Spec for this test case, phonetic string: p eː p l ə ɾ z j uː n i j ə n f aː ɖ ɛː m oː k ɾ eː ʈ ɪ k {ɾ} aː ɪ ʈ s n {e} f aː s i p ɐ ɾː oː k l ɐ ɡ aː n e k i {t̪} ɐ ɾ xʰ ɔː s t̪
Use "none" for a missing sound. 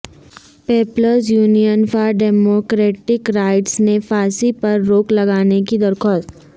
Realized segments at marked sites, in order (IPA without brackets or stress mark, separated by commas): ɾ, e, d̪